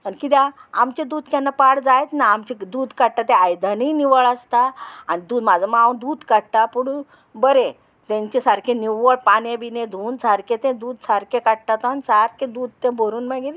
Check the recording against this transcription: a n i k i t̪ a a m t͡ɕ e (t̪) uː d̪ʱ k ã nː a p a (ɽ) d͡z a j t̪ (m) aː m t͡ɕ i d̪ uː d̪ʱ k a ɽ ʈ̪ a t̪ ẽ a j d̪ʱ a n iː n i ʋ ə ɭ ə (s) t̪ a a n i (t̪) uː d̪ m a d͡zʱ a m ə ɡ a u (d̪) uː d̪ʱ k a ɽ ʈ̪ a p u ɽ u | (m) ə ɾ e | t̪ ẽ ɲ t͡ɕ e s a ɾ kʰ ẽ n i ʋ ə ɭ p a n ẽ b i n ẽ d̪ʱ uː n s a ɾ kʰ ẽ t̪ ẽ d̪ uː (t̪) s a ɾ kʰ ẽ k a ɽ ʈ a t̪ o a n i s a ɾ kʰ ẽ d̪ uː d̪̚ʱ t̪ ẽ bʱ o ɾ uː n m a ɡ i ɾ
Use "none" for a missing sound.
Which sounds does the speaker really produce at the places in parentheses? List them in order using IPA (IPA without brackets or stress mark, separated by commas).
d̪, ɽ, n, s, d̪, d̪, b, d̪